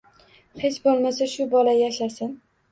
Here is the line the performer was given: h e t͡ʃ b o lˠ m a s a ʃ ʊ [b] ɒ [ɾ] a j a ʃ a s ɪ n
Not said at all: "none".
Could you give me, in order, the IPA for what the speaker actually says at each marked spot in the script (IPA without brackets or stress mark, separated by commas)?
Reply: b, l